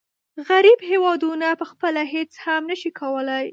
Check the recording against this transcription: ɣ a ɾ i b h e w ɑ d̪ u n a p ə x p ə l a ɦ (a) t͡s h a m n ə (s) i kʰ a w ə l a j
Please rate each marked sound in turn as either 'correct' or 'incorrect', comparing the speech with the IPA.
incorrect: e, incorrect: ʃ

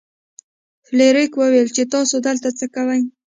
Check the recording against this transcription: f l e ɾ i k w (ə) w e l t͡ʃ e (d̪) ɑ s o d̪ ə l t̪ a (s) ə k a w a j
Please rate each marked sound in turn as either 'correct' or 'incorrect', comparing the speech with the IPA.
correct, incorrect: t̪, incorrect: t͡s

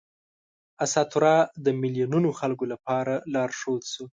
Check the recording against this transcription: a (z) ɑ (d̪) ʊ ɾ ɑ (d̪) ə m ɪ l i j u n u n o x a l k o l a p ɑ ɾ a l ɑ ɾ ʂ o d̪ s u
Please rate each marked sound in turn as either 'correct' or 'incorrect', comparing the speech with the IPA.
incorrect: s, incorrect: t̪, correct

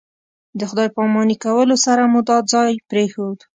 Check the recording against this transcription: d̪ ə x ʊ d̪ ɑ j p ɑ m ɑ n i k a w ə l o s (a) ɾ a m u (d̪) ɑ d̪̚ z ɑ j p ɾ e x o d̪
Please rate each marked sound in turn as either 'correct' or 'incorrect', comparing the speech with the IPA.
correct, correct

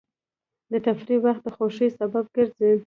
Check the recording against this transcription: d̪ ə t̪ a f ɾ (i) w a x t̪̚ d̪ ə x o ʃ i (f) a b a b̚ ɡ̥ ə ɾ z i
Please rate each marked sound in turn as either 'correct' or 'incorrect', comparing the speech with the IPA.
correct, incorrect: s

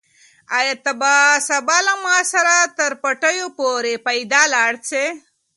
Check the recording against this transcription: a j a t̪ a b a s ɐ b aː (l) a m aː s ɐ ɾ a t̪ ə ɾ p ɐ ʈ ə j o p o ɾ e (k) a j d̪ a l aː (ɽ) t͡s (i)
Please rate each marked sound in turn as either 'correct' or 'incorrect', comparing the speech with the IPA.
correct, incorrect: p, correct, incorrect: e

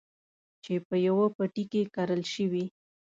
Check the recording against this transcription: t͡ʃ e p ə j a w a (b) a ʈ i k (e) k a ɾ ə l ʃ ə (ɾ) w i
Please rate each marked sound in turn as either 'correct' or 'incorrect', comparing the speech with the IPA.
incorrect: p, correct, incorrect: none

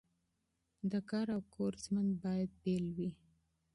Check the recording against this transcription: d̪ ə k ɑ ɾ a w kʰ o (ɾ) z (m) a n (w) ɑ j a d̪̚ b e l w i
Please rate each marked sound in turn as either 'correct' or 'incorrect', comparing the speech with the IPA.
correct, correct, incorrect: b

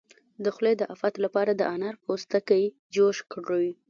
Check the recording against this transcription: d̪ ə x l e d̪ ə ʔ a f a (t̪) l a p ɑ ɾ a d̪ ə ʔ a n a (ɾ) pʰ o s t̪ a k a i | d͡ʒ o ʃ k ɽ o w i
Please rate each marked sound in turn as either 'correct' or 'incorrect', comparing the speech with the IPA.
correct, correct

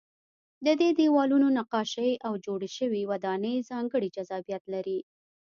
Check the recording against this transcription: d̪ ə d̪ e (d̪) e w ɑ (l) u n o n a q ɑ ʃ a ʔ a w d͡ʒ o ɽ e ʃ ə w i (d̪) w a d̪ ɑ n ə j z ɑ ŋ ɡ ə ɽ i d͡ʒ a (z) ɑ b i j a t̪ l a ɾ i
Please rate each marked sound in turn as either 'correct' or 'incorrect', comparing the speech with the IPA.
correct, correct, incorrect: none, correct

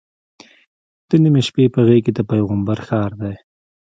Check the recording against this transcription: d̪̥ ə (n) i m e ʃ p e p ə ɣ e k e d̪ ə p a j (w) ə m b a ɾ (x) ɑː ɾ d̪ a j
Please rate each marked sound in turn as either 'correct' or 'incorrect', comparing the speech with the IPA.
correct, incorrect: ɣ, correct

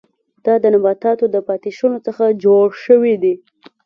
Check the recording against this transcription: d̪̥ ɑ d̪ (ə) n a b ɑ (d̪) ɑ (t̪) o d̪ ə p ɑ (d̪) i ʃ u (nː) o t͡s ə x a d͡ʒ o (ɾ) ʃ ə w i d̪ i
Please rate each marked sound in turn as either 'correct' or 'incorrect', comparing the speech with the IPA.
correct, incorrect: t̪, correct, incorrect: t̪, incorrect: n, incorrect: ɽ

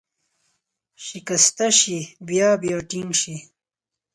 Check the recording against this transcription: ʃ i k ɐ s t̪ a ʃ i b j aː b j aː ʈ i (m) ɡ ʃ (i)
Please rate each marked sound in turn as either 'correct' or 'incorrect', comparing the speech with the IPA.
incorrect: ŋ, correct

